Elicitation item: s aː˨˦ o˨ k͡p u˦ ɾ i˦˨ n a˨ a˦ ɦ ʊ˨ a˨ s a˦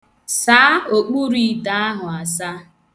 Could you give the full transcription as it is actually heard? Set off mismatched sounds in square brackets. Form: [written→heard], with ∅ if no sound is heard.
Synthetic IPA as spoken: s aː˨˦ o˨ k͡p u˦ ɾ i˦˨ [n→d] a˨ a˦ ɦ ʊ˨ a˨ s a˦